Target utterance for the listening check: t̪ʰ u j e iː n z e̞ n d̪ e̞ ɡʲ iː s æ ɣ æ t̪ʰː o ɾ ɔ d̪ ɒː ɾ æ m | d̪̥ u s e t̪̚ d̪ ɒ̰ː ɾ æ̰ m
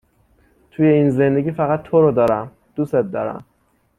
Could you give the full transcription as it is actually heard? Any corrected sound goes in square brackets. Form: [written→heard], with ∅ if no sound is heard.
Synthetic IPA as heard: t̪ʰ u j e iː n z e̞ n d̪ e̞ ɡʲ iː [s→f] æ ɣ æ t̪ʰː o ɾ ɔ d̪ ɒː ɾ æ m | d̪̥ u s e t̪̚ d̪ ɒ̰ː ɾ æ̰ m